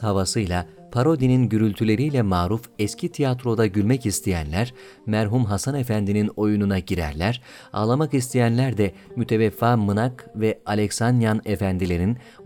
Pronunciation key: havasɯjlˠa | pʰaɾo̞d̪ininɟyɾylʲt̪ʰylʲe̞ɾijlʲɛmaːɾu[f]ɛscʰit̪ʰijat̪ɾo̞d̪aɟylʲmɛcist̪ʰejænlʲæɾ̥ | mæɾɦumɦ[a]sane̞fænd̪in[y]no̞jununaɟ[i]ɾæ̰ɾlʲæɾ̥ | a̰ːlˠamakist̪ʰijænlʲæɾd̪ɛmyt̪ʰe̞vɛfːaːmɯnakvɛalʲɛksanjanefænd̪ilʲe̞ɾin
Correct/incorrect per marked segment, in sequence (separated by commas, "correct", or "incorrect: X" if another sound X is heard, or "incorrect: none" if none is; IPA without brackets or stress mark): correct, correct, incorrect: i, correct